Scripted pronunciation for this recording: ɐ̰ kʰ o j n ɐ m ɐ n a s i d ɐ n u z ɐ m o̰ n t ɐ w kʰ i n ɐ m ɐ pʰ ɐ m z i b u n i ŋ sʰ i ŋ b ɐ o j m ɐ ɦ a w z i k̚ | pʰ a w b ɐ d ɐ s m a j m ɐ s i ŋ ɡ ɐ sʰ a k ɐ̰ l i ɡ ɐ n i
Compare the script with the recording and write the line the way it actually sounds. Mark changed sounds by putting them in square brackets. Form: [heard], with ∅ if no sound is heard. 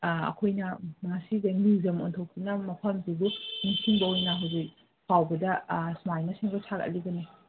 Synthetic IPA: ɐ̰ kʰ o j n ɐ m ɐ [ŋ] a s i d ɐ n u z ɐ m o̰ n [tʰ] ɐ w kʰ i n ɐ m ɐ pʰ ɐ m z i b u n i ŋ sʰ i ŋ b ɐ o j [n] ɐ ɦ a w z i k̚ | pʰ a w b ɐ d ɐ s m a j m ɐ s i ŋ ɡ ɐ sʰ a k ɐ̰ l i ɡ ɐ n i

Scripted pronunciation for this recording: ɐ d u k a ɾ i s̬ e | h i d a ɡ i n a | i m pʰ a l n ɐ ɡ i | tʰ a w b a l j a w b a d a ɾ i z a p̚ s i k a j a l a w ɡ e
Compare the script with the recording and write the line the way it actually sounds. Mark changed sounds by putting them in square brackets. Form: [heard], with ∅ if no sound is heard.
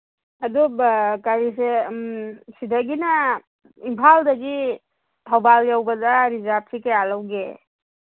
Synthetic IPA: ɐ d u k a ɾ i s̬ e | [s] i d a ɡ i n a | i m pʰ a l [d] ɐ ɡ i | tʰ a w b a l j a w b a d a ɾ i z a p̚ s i k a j a l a w ɡ e

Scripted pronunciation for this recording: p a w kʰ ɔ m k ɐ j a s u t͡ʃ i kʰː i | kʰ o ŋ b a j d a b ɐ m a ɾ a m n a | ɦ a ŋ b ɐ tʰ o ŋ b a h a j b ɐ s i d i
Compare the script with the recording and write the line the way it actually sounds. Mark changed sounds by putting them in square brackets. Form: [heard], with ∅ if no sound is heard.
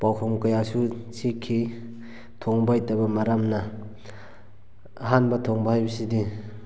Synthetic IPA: p a w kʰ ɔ m k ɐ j a s u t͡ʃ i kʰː i | [tʰ] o ŋ b a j [t] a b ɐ m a ɾ a m n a | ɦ a [n] b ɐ tʰ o ŋ b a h a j b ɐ s i d i

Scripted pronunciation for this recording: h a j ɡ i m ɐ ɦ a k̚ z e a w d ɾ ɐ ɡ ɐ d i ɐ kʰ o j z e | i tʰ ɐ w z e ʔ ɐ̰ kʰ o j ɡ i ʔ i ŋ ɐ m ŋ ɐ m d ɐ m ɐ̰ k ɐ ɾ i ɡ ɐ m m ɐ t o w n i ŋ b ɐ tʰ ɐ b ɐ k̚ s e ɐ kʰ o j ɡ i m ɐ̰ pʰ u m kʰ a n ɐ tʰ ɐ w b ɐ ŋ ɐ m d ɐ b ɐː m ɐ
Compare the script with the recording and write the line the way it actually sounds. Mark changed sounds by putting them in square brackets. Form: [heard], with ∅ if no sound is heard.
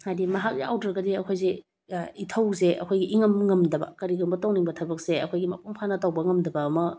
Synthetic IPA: h a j [d] i m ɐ ɦ a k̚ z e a w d ɾ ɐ ɡ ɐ d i ɐ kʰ o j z e | i tʰ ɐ w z e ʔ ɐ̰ kʰ o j ɡ i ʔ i ŋ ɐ m ŋ ɐ m d ɐ [b] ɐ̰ k ɐ ɾ i ɡ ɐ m [b] ɐ t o w n i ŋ b ɐ tʰ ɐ b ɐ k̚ s e ɐ kʰ o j ɡ i m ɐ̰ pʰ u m [pʰ] a n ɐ [t] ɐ w b ɐ ŋ ɐ m d ɐ b ɐː m ɐ

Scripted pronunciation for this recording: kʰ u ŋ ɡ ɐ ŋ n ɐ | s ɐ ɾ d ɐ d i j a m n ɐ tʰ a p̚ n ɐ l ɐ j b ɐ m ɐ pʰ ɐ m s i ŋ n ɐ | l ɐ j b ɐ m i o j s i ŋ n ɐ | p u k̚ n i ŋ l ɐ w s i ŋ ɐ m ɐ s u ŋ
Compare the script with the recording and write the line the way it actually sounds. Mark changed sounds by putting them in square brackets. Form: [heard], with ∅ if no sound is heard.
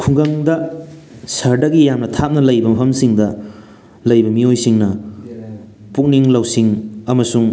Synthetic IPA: kʰ u ŋ ɡ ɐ ŋ [d] ɐ | s ɐ ɾ d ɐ [ɡ] i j a m n ɐ tʰ a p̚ n ɐ l ɐ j b ɐ m ɐ pʰ ɐ m s i ŋ [d] ɐ | l ɐ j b ɐ m i o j s i ŋ n ɐ | p u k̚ n i ŋ l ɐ w s i ŋ ɐ m ɐ s u ŋ

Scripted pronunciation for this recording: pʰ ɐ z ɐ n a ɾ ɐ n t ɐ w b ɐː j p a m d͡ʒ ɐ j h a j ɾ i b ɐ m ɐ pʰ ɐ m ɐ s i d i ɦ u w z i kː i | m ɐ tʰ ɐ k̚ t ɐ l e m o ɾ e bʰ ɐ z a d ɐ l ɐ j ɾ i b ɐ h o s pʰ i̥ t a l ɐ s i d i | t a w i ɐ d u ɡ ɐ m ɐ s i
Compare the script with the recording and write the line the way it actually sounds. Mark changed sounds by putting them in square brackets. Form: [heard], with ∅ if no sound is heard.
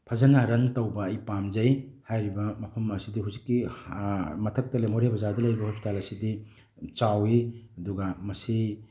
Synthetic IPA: pʰ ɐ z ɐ n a ɾ ɐ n t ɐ w b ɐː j p a m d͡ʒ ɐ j h a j ɾ i b ɐ m ɐ pʰ ɐ m ɐ s i d i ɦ u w z i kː i | m ɐ tʰ ɐ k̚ t ɐ l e m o ɾ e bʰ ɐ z a d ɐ l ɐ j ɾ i b ɐ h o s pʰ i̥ t a l ɐ s i d i | [t͡ʃ] a w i ɐ d u ɡ ɐ m ɐ s i

